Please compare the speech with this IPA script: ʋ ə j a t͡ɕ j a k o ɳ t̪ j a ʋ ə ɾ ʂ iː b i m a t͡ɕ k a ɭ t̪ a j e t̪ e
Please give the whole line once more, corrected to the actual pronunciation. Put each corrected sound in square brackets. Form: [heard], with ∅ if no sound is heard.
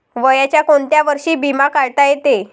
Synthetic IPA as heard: ʋ ə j a t͡ɕ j a k o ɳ t̪ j a ʋ ə ɾ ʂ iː b i m a [∅] k a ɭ t̪ a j e t̪ e